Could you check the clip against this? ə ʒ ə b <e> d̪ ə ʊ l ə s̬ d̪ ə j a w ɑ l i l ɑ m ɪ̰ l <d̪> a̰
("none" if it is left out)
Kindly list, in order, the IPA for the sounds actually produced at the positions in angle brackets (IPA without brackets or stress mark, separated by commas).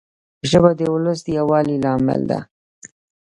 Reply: a, d̪